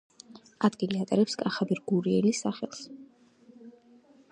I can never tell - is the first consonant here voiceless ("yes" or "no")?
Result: no